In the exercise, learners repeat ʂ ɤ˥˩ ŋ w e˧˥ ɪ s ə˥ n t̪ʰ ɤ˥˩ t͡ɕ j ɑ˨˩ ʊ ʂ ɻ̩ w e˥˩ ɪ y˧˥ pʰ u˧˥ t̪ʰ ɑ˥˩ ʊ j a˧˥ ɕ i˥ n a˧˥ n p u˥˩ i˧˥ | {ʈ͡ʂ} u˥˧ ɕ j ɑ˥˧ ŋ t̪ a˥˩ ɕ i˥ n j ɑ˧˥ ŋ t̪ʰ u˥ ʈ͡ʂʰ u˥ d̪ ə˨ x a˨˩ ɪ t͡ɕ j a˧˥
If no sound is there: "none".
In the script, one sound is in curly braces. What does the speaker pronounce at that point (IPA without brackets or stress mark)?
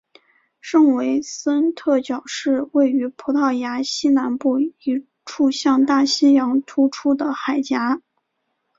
ʈ͡ʂʰ